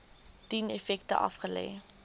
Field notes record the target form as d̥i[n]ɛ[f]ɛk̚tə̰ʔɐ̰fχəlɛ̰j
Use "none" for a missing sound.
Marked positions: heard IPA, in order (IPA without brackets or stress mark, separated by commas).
n, f